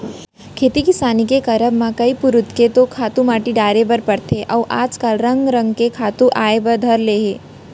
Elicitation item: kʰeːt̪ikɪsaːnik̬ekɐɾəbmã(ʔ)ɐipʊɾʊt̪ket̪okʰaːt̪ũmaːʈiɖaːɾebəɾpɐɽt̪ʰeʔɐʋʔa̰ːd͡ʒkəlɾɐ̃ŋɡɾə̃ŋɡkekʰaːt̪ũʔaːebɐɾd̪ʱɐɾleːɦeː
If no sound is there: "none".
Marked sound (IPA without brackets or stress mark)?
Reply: k